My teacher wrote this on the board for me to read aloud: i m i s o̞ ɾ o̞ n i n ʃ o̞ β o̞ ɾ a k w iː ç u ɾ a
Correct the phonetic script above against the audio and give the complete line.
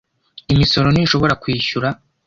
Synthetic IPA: i m i s o̞ ɾ o̞ n i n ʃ o̞ β o̞ ɾ a k w iː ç u ɾ a